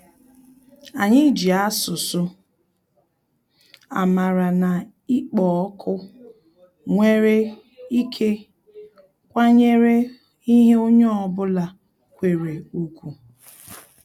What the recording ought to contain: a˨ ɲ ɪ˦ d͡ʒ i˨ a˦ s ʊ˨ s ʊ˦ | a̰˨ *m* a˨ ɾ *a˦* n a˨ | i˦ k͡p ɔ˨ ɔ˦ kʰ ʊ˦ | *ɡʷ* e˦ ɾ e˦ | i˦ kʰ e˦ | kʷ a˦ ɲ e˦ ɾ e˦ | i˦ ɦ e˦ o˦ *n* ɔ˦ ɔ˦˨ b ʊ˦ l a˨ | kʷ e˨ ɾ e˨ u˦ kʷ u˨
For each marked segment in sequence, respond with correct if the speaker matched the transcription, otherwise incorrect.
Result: correct, incorrect, incorrect, incorrect

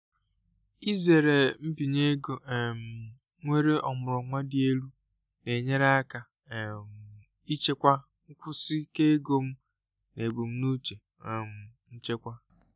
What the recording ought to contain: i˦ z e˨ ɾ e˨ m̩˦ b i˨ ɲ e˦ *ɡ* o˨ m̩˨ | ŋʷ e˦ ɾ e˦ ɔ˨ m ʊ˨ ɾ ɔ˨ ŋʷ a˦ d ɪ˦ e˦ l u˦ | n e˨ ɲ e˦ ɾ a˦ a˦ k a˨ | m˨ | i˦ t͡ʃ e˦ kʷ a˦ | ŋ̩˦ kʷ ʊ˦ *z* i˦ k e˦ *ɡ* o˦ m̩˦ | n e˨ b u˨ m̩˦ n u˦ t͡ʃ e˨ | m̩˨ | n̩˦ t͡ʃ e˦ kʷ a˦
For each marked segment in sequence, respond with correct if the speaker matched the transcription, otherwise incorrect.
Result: correct, incorrect, correct

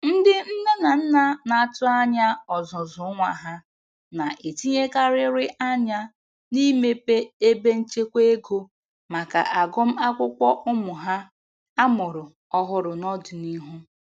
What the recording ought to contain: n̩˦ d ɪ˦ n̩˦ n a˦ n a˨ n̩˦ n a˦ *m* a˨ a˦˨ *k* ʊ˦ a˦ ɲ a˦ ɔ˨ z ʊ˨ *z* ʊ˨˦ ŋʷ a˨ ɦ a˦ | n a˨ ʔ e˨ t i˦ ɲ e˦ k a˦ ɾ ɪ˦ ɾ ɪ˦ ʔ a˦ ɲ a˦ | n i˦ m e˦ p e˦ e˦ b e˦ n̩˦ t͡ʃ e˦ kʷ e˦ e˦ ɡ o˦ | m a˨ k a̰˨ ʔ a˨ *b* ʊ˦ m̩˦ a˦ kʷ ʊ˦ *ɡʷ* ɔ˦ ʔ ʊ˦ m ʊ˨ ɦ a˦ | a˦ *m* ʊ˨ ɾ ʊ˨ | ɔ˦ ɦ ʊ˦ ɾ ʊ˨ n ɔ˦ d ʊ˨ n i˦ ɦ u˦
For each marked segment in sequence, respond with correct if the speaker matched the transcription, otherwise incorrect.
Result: incorrect, incorrect, correct, incorrect, incorrect, correct

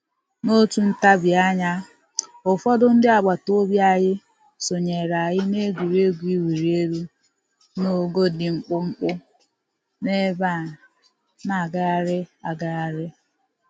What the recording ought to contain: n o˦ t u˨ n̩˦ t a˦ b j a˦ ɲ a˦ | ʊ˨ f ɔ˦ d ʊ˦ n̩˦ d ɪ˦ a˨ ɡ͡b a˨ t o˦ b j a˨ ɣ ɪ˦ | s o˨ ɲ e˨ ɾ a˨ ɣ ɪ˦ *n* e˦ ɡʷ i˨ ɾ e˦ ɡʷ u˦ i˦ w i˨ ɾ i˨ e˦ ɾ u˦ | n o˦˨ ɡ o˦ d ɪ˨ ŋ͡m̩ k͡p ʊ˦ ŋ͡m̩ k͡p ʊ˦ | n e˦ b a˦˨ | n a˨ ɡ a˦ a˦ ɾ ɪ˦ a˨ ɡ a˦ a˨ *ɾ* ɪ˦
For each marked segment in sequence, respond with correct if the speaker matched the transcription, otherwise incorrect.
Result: correct, correct

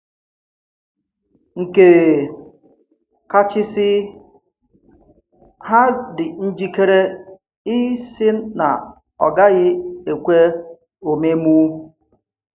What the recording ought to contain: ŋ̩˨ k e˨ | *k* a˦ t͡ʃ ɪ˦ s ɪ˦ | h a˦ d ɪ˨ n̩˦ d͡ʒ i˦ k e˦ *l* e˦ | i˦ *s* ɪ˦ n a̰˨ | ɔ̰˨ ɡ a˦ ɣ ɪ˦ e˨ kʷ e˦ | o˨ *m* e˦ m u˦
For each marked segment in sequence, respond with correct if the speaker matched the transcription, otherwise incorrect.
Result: correct, incorrect, correct, correct

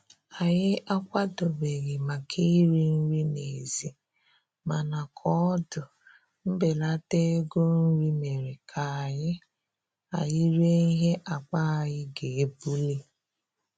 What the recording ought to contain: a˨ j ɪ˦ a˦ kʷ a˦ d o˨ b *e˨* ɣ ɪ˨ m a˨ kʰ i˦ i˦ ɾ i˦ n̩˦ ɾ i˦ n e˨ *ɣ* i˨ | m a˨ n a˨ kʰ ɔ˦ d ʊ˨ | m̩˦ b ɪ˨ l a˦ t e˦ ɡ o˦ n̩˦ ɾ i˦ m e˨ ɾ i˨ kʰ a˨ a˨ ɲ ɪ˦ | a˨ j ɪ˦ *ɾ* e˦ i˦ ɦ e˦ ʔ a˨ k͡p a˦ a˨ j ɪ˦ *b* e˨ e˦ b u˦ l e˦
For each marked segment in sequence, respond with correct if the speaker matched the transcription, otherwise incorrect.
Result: correct, incorrect, correct, incorrect

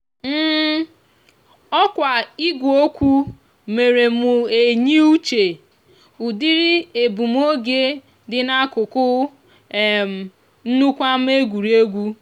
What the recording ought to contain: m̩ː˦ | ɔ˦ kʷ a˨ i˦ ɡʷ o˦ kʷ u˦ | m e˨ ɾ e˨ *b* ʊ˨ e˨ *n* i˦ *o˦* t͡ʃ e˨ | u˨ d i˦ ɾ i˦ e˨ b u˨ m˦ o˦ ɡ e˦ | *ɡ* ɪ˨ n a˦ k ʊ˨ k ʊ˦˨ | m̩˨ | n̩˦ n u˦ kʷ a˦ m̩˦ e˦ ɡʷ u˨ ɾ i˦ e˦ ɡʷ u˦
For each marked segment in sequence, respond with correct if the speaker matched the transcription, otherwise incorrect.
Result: incorrect, incorrect, incorrect, incorrect

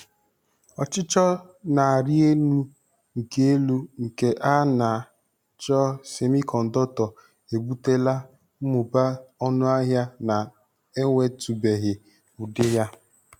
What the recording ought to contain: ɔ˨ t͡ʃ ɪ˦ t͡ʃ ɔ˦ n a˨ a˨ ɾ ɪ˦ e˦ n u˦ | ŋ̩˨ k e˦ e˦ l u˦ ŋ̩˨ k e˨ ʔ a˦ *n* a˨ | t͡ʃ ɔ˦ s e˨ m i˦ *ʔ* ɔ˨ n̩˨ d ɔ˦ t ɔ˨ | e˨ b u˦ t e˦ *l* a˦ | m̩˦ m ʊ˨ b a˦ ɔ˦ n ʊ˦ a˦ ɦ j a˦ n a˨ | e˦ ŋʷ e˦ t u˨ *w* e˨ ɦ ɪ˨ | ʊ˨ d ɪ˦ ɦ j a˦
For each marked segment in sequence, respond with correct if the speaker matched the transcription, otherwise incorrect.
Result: correct, incorrect, correct, incorrect

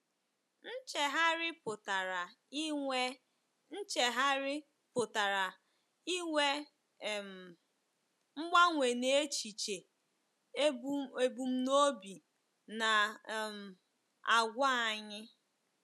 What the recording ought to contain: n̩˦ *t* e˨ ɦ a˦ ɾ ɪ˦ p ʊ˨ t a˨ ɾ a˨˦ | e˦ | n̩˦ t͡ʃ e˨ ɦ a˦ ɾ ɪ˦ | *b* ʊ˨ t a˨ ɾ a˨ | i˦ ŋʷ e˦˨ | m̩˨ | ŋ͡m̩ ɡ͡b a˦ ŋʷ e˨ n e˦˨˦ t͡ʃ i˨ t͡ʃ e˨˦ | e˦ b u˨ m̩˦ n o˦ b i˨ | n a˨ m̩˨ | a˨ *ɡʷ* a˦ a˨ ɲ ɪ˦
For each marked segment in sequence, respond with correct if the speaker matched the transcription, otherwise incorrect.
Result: incorrect, incorrect, correct

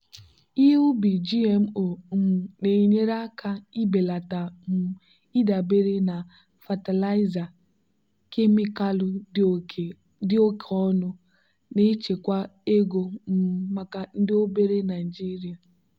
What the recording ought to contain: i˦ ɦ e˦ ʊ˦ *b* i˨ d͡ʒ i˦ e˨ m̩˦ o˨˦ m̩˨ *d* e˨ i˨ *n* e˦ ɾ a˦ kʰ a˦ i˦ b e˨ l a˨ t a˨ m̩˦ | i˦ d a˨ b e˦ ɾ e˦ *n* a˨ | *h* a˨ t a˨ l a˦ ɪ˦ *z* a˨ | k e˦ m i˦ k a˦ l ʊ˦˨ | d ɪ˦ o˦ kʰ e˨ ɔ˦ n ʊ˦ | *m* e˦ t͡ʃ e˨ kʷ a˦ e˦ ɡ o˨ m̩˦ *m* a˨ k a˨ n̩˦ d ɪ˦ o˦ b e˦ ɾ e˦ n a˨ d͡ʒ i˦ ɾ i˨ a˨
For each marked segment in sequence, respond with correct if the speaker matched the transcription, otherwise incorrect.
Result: correct, incorrect, incorrect, correct, incorrect, correct, incorrect, correct

